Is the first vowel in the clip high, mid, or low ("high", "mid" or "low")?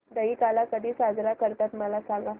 mid